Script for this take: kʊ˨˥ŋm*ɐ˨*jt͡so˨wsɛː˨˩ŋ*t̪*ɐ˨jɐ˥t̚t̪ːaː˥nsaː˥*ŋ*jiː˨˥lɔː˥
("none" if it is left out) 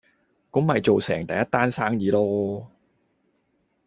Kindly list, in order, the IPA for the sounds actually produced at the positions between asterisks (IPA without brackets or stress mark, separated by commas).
ɐ˨, t̪, ŋ